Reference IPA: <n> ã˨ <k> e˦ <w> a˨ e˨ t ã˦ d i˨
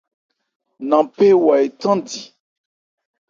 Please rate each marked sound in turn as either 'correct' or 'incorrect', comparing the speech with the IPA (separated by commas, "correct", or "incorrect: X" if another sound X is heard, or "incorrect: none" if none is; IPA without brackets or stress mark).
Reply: correct, incorrect: p, correct